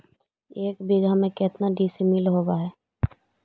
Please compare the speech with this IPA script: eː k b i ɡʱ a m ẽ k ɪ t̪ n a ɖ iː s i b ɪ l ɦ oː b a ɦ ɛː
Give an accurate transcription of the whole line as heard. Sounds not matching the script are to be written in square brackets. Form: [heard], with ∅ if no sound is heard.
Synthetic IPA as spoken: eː k b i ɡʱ a m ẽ k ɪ t̪ n a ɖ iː s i [m] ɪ l ɦ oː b a ɦ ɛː